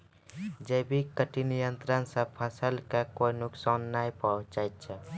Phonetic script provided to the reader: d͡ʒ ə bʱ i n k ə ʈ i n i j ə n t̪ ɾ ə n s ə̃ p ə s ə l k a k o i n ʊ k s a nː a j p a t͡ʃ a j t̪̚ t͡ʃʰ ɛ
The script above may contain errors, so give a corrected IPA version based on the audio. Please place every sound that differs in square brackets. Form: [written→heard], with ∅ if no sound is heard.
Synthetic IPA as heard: d͡ʒ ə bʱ i [n→∅] k ə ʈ i n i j ə n t̪ ɾ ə n s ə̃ [p→pʰ] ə s ə l k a k o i n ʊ k s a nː a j p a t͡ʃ a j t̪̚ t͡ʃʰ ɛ